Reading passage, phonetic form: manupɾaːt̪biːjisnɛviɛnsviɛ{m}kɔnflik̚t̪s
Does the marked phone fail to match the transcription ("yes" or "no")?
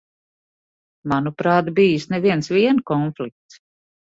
yes